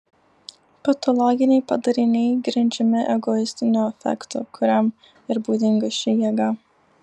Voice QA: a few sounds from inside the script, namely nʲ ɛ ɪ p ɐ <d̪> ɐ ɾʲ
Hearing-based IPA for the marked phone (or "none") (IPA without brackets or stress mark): d̪